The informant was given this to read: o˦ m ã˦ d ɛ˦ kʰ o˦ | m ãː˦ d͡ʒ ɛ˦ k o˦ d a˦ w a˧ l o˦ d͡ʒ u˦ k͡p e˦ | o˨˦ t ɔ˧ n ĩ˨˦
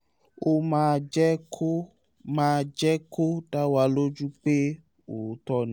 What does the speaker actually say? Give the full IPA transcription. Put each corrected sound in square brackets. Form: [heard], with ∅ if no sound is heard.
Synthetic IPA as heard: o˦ m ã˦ [d͡ʒ] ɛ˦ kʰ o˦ | m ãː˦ d͡ʒ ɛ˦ k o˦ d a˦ w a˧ l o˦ d͡ʒ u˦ k͡p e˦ | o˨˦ t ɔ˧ n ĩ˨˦